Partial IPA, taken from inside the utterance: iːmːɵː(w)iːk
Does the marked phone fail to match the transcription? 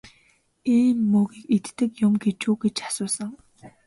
yes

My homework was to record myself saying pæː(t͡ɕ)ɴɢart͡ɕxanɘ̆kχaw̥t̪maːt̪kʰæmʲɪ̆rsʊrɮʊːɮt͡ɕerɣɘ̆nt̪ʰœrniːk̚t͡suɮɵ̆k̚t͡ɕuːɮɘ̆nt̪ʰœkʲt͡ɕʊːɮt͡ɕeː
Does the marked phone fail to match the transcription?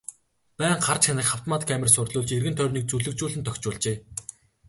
yes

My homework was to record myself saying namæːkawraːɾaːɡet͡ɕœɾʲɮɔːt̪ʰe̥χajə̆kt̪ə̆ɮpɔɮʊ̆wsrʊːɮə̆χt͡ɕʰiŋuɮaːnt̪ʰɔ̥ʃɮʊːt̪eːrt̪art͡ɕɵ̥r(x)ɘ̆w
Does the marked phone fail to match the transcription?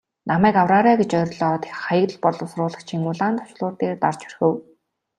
no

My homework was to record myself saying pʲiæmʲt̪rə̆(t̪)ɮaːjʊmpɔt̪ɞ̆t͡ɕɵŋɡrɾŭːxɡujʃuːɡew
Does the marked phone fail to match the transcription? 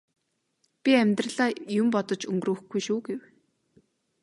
yes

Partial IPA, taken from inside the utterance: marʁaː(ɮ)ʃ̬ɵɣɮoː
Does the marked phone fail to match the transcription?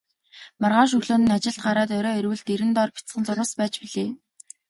yes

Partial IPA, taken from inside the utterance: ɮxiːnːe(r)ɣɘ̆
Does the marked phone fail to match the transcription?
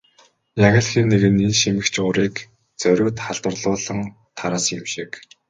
yes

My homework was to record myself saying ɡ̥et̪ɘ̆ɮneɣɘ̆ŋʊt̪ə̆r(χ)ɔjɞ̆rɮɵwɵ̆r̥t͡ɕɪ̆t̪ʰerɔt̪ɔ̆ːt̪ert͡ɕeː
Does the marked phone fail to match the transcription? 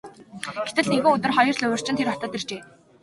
no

